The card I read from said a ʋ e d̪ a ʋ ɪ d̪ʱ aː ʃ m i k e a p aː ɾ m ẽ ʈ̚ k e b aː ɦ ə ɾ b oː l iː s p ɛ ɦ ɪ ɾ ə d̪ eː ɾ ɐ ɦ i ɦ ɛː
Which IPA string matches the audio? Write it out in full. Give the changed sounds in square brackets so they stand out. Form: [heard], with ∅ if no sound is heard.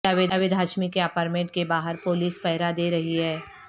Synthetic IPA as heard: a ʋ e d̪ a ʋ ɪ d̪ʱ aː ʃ m i k e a p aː ɾ m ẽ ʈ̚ k e b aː ɦ ə ɾ [p] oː l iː s p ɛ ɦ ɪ ɾ [a] d̪ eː ɾ ɐ ɦ i ɦ ɛː